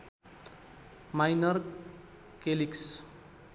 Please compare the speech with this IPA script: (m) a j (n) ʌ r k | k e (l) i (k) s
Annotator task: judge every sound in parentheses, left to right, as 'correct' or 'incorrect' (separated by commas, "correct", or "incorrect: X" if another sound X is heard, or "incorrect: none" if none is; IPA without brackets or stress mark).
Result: correct, correct, correct, correct